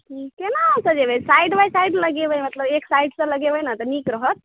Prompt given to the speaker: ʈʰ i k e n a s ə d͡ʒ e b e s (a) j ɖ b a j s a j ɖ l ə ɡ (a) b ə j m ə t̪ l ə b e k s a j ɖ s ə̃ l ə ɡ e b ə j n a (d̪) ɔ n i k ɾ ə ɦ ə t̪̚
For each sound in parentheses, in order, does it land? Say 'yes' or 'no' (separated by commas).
yes, no, no